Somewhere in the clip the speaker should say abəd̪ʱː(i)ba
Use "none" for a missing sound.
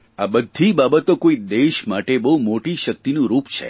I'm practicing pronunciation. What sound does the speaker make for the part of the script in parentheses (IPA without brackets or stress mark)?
i